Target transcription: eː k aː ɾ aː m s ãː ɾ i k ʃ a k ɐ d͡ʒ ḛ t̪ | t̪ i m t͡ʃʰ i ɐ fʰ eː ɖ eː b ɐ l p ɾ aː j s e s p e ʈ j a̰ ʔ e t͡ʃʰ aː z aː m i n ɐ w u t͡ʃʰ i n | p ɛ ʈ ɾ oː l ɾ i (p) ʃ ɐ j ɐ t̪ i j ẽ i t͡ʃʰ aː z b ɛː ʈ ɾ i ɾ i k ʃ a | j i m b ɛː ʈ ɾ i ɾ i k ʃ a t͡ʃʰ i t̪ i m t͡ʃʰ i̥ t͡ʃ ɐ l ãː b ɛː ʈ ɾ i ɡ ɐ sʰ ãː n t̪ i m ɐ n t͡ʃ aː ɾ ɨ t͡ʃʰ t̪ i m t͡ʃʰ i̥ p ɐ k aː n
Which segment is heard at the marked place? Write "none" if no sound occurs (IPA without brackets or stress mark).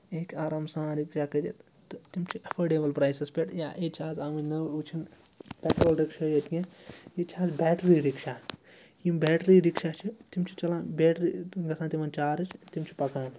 k